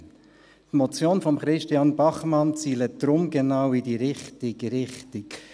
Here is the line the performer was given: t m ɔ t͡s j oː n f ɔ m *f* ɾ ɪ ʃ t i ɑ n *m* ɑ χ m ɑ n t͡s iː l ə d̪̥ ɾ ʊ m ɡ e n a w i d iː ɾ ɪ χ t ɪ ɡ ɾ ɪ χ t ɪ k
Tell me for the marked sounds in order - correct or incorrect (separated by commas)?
incorrect, incorrect